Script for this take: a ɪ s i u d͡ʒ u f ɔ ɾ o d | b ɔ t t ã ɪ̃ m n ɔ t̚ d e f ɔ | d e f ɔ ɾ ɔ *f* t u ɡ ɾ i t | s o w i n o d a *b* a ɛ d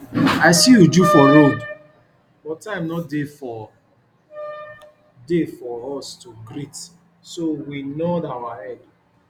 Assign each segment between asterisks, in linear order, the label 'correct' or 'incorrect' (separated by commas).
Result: incorrect, incorrect